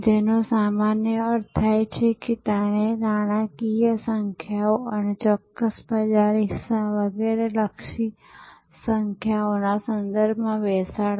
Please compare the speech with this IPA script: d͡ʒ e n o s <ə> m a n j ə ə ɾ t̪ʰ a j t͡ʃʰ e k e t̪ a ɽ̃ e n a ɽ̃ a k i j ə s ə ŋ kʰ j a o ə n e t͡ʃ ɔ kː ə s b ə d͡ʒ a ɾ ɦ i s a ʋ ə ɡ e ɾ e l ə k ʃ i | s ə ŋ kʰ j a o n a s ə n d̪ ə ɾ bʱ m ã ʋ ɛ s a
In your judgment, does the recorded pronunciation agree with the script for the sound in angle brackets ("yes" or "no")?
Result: no